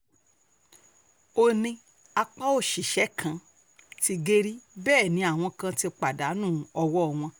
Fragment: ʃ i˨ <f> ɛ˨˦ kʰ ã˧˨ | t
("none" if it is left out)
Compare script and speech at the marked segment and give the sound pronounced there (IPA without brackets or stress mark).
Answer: ʃ